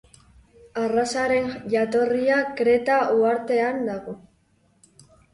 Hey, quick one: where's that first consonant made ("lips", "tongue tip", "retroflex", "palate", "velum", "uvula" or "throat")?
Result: tongue tip